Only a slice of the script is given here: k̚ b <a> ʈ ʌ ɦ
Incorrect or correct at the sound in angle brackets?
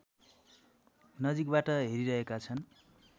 correct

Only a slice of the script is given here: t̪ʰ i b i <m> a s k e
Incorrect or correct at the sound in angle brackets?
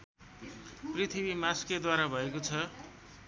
correct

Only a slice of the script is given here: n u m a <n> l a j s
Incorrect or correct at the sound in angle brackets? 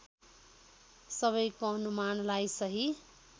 correct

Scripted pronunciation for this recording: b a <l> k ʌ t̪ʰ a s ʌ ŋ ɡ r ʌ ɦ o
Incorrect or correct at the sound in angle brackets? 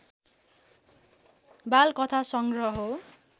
correct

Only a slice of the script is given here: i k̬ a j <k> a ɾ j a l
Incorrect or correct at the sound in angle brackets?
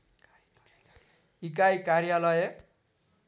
correct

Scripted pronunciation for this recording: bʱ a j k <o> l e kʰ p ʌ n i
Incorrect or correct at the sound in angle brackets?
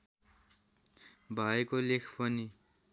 correct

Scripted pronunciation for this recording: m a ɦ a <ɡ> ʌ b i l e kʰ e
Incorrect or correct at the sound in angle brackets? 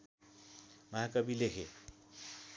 incorrect: k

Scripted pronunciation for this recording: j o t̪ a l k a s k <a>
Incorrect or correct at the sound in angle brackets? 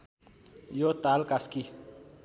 incorrect: i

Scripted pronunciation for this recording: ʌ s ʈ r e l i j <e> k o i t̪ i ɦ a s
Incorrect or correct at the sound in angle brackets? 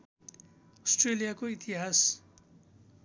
incorrect: a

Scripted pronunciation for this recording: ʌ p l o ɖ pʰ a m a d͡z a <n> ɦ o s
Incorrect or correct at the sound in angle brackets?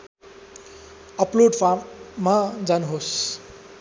correct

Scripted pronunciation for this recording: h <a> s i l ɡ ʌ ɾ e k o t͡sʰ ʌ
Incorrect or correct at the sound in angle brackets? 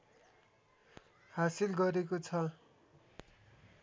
correct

